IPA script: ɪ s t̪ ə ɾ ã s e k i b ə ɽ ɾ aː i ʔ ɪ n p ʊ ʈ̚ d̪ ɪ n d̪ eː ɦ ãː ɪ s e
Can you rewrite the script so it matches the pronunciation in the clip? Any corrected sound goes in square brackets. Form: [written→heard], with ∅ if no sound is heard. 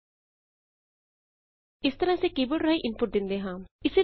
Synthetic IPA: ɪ s t̪ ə ɾ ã s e k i b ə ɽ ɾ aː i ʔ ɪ n p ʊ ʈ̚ d̪ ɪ n d̪ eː ɦ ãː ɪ s e